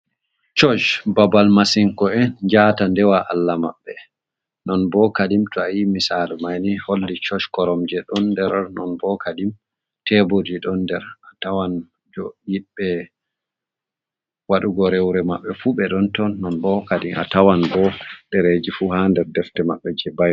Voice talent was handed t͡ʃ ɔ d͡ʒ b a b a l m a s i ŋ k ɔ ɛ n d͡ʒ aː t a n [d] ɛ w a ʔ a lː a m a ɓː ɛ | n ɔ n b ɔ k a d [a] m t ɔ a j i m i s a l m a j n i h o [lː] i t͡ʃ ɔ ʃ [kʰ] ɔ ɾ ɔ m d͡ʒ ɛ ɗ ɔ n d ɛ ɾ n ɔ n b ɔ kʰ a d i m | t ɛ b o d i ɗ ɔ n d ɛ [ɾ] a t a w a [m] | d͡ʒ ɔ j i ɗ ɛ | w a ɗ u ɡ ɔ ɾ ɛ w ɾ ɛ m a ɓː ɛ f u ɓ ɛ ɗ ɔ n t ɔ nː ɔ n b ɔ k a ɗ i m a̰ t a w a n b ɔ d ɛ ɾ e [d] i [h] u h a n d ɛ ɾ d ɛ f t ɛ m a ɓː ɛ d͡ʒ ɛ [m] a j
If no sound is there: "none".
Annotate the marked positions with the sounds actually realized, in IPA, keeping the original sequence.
d, i, lː, k, ɾ, n, d͡ʒ, f, b

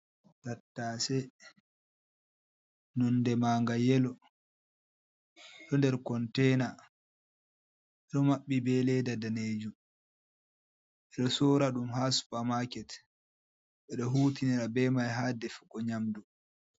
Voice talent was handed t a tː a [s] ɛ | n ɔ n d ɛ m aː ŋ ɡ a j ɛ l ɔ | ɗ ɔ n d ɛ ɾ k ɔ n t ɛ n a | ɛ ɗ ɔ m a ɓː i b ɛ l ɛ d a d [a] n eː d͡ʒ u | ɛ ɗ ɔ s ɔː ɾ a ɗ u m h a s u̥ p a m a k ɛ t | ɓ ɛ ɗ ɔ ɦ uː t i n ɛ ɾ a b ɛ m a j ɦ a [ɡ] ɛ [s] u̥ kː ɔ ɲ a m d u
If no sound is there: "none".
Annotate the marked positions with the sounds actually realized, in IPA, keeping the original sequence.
s, a, d, f

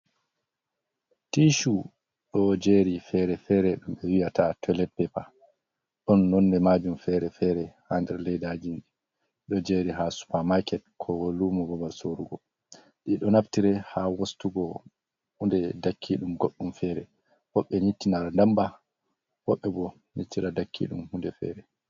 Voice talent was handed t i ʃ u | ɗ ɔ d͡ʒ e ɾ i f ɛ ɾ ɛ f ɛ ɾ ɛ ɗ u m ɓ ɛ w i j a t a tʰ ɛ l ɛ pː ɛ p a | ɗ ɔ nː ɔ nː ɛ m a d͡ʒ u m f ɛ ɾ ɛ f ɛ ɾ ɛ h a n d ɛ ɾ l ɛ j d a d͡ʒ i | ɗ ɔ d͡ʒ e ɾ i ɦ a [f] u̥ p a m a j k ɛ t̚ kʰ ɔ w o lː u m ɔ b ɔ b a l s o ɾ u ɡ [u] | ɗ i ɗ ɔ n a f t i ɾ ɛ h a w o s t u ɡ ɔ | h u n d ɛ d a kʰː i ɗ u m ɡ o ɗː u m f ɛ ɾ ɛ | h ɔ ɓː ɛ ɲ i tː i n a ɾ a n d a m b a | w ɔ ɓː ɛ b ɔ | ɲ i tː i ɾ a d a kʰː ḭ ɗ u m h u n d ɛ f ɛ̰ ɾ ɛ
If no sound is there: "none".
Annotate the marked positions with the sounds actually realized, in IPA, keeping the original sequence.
s, ɔ

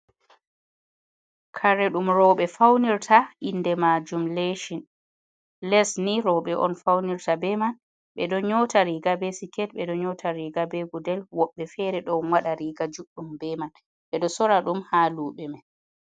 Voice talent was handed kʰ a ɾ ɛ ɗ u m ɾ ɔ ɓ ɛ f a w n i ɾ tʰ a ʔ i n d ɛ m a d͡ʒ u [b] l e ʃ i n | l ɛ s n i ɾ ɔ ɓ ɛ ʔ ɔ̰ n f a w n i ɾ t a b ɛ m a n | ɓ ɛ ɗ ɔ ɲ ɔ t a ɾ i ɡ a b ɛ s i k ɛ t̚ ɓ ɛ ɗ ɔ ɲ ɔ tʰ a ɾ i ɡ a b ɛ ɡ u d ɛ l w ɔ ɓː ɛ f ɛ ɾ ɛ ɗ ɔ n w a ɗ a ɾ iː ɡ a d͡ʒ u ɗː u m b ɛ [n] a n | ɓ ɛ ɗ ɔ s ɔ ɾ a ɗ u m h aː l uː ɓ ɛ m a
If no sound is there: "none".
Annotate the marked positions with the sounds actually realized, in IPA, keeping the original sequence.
m, m

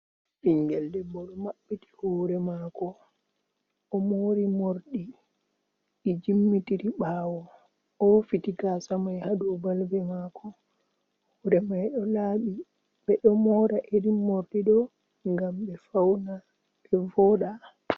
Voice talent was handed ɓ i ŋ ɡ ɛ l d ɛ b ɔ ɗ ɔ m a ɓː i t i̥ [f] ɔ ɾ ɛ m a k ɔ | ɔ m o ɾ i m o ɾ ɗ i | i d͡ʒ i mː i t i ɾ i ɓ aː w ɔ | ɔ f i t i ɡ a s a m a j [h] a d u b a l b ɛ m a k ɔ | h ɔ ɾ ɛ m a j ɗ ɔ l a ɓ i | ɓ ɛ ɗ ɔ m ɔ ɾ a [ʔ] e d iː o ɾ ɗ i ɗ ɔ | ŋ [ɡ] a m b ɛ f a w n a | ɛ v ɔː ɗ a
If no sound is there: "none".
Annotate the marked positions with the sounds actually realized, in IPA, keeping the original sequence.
h, h, ʔ, ɡ

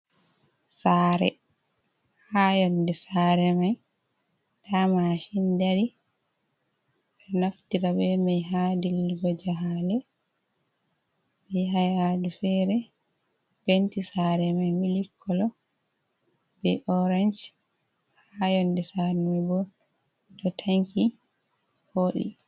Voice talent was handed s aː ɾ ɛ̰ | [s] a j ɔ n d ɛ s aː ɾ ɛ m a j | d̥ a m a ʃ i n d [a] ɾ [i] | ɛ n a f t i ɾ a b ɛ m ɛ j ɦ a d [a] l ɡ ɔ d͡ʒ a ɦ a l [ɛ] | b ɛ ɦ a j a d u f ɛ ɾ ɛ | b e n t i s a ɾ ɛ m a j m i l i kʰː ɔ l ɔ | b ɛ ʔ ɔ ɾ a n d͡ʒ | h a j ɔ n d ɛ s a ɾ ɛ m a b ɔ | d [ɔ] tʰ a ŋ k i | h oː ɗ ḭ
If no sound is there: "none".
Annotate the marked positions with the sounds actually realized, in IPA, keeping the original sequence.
h, a, i, i, ɛ, ɔ

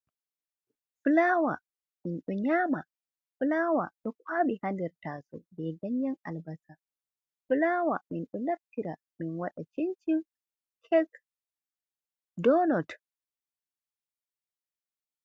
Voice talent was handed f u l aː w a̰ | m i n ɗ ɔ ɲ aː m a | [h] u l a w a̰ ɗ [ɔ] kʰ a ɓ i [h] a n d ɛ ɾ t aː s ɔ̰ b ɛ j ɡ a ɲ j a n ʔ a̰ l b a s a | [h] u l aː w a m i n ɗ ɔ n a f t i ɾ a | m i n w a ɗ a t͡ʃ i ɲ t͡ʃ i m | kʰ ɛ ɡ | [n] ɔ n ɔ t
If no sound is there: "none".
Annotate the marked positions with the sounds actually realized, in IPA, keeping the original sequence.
f, ɔ, h, f, d

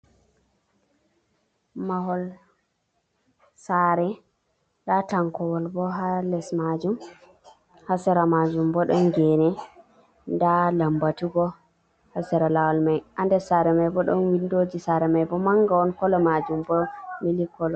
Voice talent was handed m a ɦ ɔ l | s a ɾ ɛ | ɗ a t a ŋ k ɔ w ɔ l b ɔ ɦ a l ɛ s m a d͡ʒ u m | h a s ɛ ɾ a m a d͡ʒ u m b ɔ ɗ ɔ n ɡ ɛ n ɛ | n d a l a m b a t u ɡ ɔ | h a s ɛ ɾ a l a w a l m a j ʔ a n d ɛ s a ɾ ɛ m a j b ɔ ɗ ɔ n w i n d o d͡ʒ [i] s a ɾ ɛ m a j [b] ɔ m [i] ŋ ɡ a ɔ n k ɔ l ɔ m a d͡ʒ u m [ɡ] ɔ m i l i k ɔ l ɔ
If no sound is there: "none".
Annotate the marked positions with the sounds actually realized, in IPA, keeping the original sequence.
i, b, a, b

